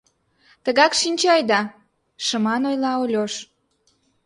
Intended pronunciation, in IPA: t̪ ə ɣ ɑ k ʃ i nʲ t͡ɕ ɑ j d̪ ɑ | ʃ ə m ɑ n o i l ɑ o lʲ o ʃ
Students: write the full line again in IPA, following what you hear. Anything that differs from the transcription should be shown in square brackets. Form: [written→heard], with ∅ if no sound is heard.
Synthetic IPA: t̪ ə ɣ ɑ k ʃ i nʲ t͡ɕ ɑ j d̪ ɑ | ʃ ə m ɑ n o [i→j] l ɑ o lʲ o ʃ